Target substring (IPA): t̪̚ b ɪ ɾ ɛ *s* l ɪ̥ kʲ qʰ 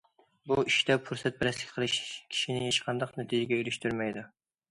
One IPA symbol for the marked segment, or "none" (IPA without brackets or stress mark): s